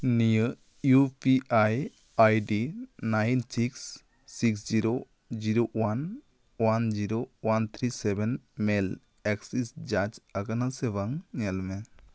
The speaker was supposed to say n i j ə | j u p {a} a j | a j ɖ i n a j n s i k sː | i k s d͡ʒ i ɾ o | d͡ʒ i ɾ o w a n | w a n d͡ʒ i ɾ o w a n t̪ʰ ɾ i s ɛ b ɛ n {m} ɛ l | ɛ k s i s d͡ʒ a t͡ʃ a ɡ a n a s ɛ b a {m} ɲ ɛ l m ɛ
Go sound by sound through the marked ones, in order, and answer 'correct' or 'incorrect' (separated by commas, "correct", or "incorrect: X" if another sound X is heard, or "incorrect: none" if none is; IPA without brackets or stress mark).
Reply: incorrect: i, correct, incorrect: ŋ